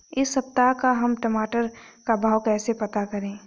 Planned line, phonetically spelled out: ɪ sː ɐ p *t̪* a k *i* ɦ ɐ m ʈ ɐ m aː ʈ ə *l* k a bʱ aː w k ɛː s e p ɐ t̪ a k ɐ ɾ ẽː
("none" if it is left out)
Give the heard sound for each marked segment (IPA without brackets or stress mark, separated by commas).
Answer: t̪, a, ɾ